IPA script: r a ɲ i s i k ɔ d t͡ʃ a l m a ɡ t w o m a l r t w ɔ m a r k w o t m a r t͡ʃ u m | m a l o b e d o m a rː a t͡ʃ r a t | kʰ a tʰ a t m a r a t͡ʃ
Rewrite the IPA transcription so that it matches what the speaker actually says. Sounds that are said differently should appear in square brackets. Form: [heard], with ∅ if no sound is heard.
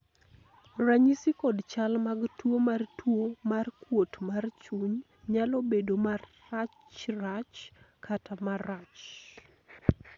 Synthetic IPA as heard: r a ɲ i s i k ɔ d t͡ʃ a l m a ɡ t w o m a [∅] r t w [o] m a r k w o t m a r t͡ʃ u [ɲ] | [ɲ] a l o b e d o m a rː a t͡ʃ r a [t͡ʃ] | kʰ a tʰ a [∅] m a r a t͡ʃ